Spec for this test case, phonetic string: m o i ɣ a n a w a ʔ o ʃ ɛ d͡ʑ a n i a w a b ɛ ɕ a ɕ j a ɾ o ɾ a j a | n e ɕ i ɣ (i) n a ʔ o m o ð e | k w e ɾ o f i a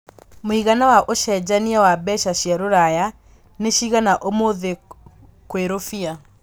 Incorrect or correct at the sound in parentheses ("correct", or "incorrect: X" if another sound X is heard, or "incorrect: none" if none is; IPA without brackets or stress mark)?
incorrect: a